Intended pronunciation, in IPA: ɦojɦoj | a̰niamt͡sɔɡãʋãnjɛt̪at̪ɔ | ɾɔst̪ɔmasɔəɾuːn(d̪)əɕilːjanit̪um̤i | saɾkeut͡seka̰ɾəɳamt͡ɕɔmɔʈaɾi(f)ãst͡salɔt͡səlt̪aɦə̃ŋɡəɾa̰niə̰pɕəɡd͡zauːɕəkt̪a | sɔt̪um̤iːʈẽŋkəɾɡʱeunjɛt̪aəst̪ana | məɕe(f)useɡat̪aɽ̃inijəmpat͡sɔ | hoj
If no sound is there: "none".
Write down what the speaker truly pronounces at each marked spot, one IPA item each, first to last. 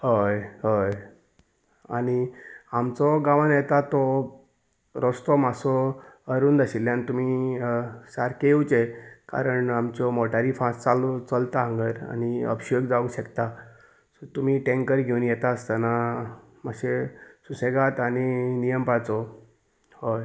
d̪, f, s

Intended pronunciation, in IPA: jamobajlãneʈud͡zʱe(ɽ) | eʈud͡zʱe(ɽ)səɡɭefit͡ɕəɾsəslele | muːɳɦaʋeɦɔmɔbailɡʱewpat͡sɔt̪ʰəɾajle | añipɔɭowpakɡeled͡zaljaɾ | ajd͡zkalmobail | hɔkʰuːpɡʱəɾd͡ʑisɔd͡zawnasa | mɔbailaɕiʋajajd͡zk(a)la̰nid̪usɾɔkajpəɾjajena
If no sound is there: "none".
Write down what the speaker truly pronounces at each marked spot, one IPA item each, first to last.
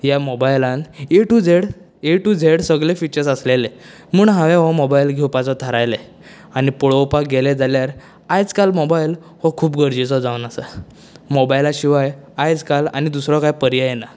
ɽ, ɽ, a

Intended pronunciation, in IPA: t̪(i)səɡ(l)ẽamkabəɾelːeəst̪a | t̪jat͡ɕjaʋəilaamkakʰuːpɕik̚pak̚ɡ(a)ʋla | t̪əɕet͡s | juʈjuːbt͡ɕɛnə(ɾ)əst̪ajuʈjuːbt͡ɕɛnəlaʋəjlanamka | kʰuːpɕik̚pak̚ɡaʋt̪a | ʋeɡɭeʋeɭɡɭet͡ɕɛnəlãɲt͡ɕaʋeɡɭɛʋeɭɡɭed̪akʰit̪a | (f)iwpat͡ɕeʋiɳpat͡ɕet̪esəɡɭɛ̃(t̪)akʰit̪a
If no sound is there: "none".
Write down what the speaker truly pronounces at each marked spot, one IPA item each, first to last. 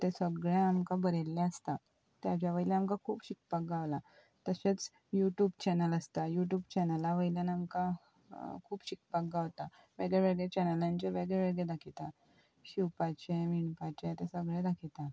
e, ɭ, a, l, ɕ, d̪

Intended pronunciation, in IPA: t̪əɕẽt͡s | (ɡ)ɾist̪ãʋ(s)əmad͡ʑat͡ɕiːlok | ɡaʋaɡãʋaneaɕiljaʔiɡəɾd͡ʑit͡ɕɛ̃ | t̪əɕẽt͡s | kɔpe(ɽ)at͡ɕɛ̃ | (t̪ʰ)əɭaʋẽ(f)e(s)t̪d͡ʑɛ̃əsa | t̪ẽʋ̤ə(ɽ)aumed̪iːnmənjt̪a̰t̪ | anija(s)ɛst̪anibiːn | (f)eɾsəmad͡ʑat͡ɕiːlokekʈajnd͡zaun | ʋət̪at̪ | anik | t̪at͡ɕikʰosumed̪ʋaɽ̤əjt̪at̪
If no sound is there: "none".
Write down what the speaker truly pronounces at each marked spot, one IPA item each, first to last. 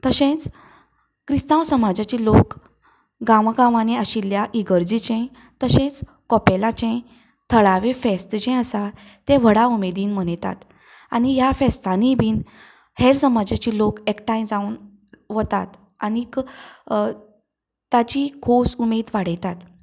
k, s, l, t̪ʰ, f, s, ɽ, f, h

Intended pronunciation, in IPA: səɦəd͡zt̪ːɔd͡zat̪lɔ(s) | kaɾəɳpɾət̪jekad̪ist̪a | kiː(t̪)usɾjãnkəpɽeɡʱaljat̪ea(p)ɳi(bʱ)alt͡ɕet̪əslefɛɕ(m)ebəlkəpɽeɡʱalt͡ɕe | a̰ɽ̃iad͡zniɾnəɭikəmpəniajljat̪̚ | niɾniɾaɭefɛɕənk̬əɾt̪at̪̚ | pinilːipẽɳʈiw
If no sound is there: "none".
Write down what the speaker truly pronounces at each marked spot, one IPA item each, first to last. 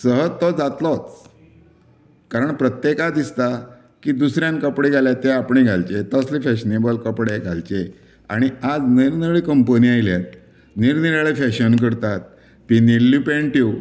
t͡s, d̪, p, ɡʱ, n

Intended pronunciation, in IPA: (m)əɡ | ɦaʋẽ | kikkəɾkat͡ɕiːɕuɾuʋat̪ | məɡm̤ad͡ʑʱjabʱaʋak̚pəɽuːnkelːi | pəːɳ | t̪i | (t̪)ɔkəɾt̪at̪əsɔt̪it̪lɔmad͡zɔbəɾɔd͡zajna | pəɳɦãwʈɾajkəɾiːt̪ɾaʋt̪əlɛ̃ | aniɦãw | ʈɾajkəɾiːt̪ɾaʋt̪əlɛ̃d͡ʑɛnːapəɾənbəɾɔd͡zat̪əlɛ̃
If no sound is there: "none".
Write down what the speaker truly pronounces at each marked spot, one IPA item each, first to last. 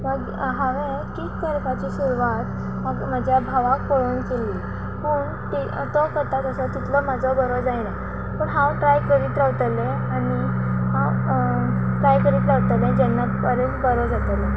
m, t̪

